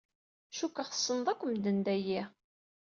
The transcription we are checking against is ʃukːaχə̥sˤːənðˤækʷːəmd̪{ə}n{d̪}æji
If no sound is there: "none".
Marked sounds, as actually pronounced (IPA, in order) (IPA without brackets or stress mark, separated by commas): ə, d̪